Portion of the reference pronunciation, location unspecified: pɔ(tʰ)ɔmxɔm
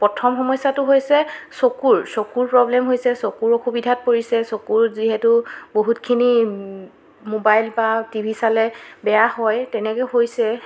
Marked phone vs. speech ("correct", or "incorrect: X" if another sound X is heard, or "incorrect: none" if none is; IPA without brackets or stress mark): correct